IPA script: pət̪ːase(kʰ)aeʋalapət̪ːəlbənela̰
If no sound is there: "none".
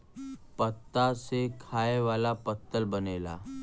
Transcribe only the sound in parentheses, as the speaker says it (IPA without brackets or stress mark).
kʰ